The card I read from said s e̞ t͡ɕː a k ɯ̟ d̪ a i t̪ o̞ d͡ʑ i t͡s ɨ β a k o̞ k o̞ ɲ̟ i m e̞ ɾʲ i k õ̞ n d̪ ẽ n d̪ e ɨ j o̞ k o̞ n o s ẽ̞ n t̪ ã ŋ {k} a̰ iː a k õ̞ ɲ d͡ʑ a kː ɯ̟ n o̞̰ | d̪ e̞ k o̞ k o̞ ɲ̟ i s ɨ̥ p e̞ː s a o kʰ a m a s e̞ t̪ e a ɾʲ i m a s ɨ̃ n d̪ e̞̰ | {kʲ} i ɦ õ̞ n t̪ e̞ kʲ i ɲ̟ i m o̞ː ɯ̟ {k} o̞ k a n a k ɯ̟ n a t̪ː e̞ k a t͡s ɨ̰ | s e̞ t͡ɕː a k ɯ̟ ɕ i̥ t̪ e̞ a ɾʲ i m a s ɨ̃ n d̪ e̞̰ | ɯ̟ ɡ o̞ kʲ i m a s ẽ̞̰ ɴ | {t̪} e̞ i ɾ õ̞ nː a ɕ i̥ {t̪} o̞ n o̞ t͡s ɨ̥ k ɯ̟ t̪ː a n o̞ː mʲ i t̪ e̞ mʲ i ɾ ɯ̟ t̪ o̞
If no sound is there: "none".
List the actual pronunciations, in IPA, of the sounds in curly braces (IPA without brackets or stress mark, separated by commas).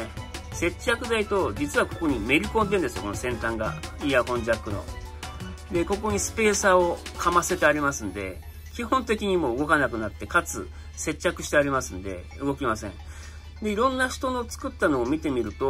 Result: ɡ, kʲ, ɡ, d̪, t̪